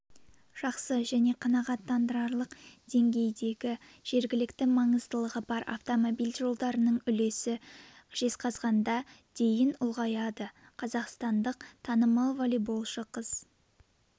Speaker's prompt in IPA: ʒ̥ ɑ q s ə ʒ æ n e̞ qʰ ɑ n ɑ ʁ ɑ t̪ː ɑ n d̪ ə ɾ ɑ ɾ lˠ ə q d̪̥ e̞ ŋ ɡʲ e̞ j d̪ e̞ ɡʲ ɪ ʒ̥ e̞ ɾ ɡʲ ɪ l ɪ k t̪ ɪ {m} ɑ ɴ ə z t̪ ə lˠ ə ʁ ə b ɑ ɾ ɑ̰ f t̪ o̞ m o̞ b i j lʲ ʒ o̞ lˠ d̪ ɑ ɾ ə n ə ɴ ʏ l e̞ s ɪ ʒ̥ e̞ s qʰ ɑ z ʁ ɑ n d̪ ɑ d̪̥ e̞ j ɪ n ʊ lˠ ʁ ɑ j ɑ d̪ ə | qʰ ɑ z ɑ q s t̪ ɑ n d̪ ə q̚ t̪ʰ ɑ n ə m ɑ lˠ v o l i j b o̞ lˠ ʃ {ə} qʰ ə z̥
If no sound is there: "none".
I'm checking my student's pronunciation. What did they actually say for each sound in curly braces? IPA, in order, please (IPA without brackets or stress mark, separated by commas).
m, ə